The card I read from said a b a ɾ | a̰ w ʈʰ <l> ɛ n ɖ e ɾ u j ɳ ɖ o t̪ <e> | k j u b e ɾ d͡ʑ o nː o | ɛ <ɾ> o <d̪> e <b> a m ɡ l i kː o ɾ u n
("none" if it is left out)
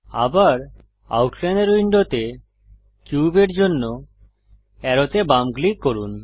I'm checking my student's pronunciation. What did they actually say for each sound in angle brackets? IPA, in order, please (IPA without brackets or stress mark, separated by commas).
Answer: l, e, ɾ, t̪, b